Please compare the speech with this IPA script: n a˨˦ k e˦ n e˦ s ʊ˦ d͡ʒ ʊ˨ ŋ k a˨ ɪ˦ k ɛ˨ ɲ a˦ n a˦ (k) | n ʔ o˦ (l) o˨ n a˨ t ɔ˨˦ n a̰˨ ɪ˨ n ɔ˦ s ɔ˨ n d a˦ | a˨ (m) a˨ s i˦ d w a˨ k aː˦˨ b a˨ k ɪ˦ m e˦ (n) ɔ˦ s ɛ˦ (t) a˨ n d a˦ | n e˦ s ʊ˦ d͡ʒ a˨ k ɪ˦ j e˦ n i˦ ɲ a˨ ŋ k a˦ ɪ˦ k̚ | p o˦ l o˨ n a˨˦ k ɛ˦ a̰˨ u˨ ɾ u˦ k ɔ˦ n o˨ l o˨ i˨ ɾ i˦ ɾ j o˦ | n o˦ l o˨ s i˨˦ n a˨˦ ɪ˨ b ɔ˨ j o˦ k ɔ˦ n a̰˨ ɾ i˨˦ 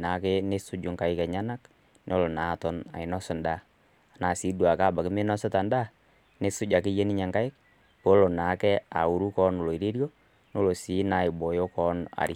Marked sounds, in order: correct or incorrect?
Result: correct, correct, incorrect: n, correct, correct

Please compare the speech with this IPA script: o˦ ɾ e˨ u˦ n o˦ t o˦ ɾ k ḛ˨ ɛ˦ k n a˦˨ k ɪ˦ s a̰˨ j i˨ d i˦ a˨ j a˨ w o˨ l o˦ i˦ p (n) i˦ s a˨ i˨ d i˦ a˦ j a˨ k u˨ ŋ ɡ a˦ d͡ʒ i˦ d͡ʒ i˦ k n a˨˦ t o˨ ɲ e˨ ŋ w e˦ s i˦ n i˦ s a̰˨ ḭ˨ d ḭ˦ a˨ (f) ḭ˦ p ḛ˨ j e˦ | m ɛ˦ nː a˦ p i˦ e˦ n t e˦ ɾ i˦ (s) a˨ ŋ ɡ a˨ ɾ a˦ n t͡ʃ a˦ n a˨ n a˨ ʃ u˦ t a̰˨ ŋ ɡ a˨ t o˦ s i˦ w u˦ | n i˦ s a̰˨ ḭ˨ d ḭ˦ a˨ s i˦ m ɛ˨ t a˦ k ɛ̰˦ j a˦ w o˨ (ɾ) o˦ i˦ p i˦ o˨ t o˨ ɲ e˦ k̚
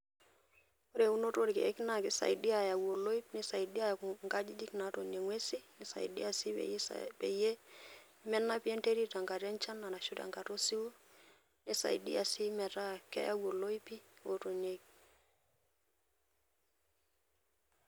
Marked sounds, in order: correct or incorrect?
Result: correct, incorrect: s, incorrect: t, incorrect: l

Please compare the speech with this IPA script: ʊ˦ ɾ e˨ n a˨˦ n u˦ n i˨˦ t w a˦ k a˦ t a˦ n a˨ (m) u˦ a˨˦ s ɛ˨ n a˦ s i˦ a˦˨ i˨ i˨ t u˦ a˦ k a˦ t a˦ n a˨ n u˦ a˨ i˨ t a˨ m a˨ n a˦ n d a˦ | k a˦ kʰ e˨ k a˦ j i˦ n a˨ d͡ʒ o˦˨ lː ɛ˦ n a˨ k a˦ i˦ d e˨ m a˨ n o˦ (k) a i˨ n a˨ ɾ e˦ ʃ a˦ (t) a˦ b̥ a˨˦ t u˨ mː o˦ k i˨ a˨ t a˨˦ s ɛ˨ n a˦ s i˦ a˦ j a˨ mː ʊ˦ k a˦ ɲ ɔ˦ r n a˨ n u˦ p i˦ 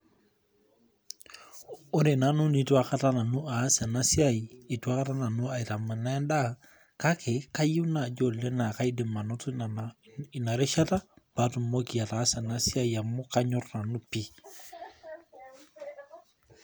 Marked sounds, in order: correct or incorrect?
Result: incorrect: n, incorrect: t, correct

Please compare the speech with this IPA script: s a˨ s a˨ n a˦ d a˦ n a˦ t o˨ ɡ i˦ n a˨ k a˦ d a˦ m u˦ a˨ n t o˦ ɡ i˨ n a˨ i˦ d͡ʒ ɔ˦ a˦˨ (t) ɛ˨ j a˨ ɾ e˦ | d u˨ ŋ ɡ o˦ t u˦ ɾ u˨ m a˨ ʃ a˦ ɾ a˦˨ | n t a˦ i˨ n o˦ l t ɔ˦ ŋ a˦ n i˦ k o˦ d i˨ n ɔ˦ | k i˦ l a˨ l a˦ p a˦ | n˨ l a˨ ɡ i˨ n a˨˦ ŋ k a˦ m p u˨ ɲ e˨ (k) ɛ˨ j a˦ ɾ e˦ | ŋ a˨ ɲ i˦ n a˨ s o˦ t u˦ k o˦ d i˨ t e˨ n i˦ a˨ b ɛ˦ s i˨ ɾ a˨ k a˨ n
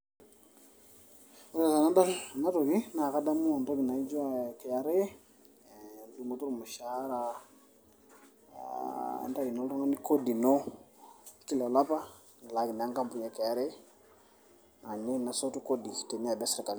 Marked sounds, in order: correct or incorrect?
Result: incorrect: k, correct

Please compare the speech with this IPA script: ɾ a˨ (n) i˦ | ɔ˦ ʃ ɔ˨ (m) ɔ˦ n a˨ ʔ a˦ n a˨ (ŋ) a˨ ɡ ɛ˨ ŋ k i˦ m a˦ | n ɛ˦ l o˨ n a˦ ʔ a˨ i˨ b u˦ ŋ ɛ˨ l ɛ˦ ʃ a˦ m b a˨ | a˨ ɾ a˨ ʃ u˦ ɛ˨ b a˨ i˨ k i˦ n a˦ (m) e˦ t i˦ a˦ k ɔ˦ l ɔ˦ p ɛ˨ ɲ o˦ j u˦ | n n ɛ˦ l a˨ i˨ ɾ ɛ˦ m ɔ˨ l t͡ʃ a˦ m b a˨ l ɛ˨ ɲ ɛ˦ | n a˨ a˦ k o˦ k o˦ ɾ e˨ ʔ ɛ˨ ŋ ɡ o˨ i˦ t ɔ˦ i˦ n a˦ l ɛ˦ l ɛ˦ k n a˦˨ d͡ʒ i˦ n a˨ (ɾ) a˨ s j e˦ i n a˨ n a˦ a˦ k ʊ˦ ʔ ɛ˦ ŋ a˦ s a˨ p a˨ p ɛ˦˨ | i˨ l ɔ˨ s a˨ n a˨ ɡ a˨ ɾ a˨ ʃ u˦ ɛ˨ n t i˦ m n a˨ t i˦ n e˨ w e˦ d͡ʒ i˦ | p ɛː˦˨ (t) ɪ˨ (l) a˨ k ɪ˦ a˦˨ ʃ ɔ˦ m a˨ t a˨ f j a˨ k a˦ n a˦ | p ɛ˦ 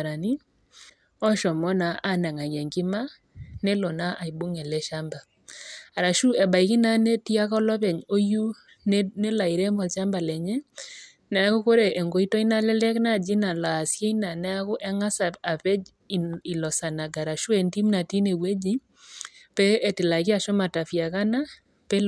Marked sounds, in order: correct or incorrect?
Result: correct, correct, correct, incorrect: n, incorrect: l, correct, correct

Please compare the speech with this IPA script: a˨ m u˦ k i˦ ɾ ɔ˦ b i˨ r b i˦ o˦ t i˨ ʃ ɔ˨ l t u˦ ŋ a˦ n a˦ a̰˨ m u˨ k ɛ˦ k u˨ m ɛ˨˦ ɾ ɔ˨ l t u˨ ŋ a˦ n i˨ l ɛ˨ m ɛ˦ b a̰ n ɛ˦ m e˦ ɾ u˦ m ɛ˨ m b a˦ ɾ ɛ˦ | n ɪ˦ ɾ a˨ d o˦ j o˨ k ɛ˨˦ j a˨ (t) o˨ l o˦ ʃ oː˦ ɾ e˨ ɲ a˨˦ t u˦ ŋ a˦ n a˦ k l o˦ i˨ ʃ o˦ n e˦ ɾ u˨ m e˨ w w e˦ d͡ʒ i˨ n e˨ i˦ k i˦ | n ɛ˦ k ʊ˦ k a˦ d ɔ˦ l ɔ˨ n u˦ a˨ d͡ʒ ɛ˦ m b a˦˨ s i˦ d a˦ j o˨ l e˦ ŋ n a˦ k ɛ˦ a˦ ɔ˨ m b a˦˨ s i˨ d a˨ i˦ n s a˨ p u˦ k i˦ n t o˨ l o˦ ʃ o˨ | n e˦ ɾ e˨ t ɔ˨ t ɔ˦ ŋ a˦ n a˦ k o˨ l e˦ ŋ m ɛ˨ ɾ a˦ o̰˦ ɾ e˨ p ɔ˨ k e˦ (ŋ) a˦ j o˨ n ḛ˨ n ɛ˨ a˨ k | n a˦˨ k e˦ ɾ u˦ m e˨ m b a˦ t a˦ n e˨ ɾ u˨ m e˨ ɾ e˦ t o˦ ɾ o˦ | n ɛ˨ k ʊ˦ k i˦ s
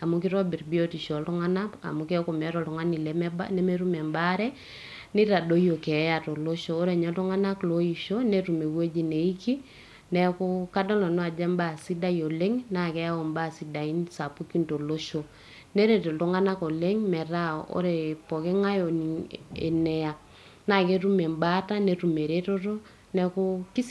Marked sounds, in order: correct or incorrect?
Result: correct, correct

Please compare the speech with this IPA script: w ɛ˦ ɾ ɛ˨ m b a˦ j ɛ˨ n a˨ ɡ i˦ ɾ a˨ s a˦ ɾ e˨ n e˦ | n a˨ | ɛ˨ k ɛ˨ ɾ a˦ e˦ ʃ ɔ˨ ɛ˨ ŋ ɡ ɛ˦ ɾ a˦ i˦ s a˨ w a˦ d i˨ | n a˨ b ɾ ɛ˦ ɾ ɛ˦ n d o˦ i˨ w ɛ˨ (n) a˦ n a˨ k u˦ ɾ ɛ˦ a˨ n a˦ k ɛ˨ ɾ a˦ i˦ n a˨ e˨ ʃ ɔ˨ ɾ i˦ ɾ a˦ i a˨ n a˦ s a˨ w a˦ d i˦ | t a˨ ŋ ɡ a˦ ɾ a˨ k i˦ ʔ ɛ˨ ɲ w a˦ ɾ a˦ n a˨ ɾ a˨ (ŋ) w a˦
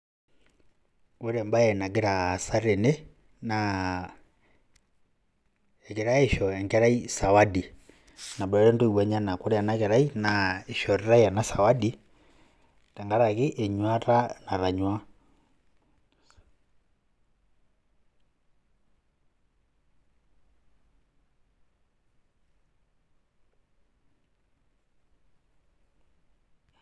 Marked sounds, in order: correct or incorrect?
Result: incorrect: ɲ, incorrect: ɲ

